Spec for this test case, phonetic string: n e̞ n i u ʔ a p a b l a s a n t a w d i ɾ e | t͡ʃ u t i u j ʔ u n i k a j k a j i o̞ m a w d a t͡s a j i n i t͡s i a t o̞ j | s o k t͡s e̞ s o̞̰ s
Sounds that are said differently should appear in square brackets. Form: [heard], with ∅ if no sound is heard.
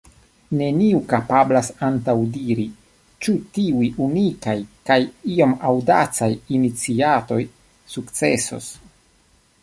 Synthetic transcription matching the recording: n e̞ n i u [k] a p a b l a s a n t a w d i ɾ [i] | t͡ʃ u t i u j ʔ u n i k a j k a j i o̞ m a w d a t͡s a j i n i t͡s i a t o̞ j | s [u] k t͡s e̞ s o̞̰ s